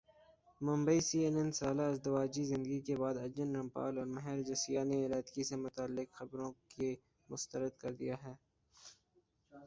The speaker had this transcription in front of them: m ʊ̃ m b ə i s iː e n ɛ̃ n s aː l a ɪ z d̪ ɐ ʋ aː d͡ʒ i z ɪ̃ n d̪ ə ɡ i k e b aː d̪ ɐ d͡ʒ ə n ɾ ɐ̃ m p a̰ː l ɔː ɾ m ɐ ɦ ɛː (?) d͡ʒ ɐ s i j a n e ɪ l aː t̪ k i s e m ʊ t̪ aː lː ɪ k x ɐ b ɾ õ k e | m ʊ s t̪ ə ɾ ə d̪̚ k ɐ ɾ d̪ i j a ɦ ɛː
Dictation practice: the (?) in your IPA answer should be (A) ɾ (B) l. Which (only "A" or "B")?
A